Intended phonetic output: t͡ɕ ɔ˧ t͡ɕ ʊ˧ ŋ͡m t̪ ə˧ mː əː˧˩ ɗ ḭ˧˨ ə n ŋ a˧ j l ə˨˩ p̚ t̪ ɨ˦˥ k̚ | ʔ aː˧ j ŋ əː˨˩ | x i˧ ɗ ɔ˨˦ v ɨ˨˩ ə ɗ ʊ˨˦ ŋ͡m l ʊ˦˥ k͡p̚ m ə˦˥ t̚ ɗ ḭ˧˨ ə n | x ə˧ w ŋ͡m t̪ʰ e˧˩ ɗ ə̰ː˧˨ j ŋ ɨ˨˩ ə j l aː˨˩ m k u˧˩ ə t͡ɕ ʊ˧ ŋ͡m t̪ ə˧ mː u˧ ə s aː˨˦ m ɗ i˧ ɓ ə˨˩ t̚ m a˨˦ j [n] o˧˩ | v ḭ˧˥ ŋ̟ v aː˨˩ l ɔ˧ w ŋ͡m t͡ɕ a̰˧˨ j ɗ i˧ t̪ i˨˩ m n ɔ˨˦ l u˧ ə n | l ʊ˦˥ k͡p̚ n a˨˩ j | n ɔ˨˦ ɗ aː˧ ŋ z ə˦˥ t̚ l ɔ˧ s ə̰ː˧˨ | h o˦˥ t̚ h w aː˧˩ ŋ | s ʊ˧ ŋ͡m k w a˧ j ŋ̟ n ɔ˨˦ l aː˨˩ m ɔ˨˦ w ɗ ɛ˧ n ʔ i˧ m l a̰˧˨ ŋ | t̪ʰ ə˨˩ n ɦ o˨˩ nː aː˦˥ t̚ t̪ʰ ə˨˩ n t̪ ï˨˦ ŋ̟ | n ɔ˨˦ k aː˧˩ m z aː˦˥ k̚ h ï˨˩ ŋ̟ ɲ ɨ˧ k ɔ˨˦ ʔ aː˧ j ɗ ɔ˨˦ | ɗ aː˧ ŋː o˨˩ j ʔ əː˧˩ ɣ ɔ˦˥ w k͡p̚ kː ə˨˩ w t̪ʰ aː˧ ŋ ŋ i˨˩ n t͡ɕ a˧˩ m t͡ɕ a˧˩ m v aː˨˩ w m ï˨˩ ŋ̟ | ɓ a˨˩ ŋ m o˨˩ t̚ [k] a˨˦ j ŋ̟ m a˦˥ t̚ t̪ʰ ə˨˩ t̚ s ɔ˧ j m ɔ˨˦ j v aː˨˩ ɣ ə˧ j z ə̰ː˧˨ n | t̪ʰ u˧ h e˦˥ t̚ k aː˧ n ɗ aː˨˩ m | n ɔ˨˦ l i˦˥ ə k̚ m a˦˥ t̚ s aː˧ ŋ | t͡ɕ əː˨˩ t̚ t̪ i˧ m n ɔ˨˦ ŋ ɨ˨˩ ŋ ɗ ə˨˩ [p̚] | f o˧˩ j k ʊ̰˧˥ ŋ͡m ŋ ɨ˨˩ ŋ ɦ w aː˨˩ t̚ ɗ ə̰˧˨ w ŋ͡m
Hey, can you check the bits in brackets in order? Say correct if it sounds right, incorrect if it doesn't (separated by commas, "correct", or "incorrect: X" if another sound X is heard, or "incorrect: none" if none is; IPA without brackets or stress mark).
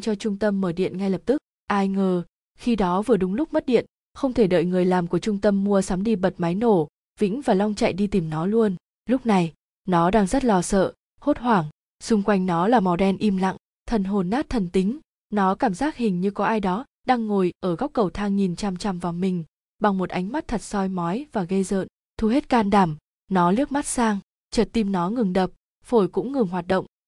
correct, incorrect: ʔ, correct